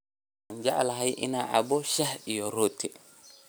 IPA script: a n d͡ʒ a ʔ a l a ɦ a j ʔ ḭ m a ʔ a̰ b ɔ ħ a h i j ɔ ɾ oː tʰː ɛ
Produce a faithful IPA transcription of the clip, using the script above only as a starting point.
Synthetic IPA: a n d͡ʒ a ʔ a l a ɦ a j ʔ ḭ n a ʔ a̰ b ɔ ʃ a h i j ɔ ɾ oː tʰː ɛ